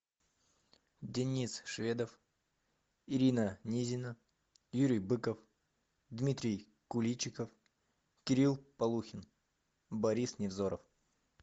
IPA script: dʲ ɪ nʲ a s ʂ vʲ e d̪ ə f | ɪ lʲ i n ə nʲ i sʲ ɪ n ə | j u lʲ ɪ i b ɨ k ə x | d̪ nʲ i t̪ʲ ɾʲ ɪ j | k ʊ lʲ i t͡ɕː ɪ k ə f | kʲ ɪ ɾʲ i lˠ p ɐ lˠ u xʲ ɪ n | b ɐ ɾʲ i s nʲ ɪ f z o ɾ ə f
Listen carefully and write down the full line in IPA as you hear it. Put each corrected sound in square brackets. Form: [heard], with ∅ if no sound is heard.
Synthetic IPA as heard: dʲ ɪ nʲ [i] s ʂ vʲ e d̪ ə f | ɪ [ɾʲ] i n ə nʲ i [zʲ] ɪ n ə | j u [ɾʲ] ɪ [j] b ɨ k ə [f] | d̪ [mʲ] i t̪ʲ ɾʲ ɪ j | k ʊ lʲ i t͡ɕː ɪ k ə f | kʲ ɪ ɾʲ i lˠ p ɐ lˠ u xʲ ɪ n | b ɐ ɾʲ i s nʲ ɪ [v] z o ɾ ə f